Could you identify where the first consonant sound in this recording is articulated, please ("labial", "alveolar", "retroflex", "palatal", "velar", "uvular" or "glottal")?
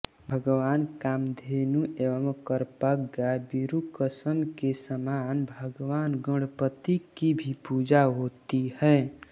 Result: labial